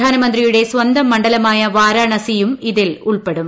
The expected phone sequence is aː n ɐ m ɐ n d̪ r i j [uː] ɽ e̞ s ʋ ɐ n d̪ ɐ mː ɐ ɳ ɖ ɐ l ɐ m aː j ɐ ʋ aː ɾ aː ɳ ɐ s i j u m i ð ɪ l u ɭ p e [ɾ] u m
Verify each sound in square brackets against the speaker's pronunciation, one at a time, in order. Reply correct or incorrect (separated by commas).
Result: incorrect, incorrect